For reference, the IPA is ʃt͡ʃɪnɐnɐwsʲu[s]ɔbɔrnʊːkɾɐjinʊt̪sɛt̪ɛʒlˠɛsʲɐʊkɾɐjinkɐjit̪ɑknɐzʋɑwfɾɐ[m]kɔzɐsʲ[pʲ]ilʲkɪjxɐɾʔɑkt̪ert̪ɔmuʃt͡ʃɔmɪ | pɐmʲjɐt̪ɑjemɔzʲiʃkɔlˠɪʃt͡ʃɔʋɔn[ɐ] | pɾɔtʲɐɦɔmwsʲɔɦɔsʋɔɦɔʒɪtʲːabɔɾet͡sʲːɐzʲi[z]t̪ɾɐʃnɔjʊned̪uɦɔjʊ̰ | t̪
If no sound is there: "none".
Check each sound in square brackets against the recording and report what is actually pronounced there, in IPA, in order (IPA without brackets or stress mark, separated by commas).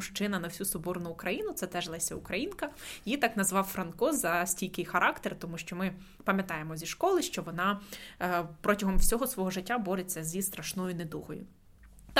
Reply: s, n, tʲ, ɑ, s